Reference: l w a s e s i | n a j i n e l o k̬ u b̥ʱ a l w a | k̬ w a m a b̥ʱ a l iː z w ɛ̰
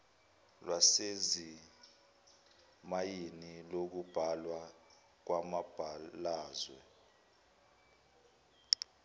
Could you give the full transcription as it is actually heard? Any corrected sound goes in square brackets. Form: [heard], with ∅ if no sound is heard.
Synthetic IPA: l w a s e [z] i | [m] a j i n [i] l o k̬ u b̥ʱ a l w a | k̬ w a m a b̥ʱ a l [aː] z w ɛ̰